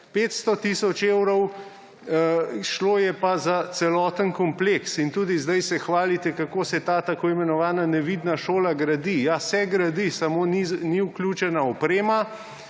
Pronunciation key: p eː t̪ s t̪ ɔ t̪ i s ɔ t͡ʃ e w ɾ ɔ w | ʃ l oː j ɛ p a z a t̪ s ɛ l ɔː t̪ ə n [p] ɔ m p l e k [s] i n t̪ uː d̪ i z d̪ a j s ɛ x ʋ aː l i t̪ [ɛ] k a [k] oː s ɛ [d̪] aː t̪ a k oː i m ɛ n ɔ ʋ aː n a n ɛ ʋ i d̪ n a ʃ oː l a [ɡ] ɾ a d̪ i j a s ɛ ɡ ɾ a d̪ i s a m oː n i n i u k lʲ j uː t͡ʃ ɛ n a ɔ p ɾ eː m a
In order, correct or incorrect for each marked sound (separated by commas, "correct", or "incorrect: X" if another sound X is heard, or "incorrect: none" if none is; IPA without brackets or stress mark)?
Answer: incorrect: k, correct, correct, correct, incorrect: t̪, correct